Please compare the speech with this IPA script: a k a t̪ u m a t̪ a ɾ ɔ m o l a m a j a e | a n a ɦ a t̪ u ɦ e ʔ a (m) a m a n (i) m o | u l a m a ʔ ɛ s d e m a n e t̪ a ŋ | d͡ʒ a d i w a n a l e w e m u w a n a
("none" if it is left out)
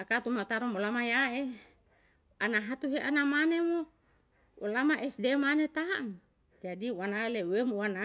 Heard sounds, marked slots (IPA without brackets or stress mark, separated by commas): n, e